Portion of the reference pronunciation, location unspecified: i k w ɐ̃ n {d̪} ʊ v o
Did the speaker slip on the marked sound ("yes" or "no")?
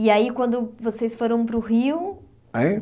no